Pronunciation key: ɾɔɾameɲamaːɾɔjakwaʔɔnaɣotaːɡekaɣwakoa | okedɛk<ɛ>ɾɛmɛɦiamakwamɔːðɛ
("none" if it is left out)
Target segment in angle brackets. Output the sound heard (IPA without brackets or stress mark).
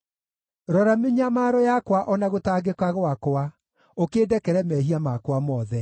ɛ